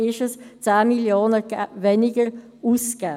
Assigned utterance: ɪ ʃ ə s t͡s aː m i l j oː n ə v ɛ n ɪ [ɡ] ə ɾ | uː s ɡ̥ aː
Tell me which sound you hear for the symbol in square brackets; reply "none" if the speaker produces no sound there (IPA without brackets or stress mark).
ɡ